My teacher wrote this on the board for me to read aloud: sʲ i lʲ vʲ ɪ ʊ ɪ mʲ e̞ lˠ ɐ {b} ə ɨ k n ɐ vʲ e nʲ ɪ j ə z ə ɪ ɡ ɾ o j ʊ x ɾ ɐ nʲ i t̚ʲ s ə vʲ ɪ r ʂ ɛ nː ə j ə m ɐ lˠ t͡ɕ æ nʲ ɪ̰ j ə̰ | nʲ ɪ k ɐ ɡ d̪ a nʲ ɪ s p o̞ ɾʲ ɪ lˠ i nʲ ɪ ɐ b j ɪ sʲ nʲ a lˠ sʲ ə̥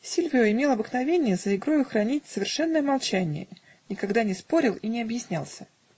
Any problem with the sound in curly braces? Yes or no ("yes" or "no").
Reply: no